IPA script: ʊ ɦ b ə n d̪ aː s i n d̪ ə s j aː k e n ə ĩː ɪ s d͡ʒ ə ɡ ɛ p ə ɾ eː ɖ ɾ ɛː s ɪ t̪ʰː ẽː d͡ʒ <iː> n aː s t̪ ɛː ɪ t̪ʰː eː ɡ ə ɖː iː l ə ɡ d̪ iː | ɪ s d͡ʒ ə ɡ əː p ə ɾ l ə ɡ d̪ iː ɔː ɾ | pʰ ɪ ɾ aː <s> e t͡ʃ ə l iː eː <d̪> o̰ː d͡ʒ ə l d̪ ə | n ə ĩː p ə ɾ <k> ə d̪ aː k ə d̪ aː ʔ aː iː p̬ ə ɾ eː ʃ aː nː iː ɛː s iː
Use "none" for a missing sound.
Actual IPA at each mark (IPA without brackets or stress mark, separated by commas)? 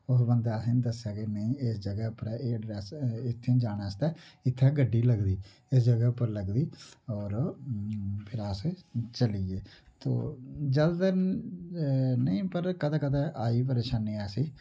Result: aː, s, t̪, k